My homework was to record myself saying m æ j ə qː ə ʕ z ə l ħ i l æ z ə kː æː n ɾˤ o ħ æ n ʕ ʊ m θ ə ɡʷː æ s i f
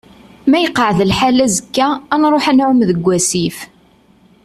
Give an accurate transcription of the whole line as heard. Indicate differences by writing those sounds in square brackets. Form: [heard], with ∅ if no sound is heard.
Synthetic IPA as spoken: m æ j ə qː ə ʕ [ð] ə l ħ [a] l æ z ə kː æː n ɾˤ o ħ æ n ʕ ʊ m [ð] ə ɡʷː æ s i f